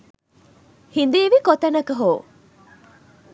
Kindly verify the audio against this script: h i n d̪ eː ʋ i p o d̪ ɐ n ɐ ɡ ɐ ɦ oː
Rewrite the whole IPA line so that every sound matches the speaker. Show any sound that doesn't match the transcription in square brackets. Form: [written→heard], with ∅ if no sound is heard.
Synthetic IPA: h i n d̪ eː ʋ i [p→k] o [d̪→t̪] ɐ n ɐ [ɡ→k] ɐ ɦ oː